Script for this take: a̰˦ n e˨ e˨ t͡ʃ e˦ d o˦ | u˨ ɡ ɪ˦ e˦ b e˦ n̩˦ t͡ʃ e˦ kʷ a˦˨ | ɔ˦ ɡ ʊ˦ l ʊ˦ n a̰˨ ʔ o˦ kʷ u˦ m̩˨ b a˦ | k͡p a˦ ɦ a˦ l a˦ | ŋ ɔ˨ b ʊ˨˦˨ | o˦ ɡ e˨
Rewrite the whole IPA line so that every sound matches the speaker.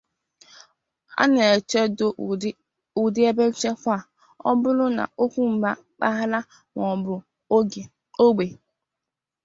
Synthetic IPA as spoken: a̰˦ n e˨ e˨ t͡ʃ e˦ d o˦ | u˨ d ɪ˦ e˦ b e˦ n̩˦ t͡ʃ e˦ kʷ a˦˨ | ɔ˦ b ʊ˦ l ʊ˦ n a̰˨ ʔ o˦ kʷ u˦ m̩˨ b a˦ | k͡p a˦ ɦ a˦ l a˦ | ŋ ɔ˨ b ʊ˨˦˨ | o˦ ɡ͡b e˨